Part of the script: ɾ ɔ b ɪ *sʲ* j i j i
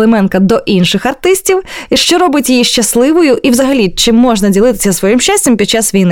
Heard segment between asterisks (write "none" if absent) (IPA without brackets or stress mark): tʲ